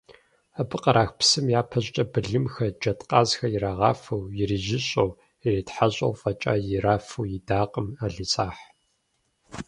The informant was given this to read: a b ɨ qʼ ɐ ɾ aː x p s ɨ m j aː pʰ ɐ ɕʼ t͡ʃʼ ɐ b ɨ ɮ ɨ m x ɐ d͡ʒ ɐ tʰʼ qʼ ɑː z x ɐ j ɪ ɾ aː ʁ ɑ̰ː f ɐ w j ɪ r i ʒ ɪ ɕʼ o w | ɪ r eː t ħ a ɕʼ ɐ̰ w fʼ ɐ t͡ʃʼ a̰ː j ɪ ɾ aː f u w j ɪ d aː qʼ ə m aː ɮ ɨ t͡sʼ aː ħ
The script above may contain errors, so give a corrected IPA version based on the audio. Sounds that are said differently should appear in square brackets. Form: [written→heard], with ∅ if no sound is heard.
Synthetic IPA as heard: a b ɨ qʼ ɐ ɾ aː x p s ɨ m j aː pʰ ɐ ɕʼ t͡ʃʼ ɐ b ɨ ɮ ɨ m x ɐ d͡ʒ ɐ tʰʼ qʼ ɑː z x ɐ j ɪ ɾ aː ʁ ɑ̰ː f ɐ w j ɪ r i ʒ ɪ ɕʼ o w | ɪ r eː t ħ a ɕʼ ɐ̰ w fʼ ɐ t͡ʃʼ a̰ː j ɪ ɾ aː f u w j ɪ d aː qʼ ə m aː ɮ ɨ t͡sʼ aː ħ